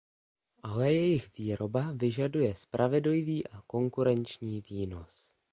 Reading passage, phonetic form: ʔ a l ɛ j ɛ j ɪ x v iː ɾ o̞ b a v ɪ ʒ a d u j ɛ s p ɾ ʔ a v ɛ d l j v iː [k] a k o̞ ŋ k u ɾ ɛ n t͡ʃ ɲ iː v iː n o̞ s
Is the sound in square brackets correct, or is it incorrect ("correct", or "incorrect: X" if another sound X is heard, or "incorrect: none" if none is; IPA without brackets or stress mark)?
incorrect: ʔ